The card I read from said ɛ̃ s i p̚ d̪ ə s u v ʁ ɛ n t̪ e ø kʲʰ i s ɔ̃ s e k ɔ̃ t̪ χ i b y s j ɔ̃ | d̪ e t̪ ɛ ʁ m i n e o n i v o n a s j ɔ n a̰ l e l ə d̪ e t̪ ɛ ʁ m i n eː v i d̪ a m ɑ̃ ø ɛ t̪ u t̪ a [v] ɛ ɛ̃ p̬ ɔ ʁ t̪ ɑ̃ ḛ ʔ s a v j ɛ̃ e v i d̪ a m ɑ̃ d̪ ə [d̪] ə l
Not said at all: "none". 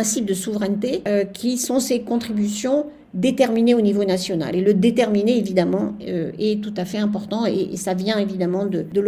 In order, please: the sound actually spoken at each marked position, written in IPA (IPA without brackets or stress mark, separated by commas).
f, d̪